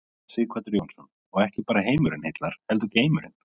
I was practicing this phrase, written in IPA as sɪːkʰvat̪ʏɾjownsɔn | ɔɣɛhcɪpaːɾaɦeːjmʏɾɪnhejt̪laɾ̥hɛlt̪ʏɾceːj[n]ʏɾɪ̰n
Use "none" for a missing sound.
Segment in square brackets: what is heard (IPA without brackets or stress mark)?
m